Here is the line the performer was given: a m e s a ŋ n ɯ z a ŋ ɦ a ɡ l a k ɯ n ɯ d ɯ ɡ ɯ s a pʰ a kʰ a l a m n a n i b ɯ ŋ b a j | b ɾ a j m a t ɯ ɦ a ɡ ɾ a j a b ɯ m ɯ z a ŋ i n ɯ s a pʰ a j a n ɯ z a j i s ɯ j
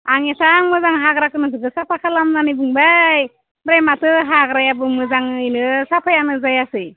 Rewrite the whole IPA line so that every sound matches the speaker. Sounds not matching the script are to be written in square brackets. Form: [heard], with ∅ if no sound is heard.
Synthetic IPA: a [ŋ] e s a ŋ [m] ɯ z a ŋ ɦ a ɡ [ɾ] a k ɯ n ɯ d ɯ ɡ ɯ s a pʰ a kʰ a l a m n a n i b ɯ ŋ b a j | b ɾ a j m a t ɯ ɦ a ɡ ɾ a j a b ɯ m ɯ z a ŋ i n ɯ s a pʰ a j a n ɯ z a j [a] s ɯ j